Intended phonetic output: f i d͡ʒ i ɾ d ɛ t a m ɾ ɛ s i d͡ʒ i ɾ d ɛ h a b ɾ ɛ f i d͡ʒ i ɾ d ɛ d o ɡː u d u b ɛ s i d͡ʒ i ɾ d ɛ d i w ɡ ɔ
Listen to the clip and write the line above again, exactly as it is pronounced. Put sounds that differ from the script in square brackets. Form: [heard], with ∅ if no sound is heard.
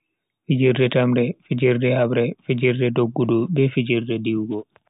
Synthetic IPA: f i d͡ʒ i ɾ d ɛ t a m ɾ ɛ [f] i d͡ʒ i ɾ d ɛ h a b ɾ ɛ f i d͡ʒ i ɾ d ɛ d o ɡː u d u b ɛ [f] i d͡ʒ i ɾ d ɛ d i w ɡ ɔ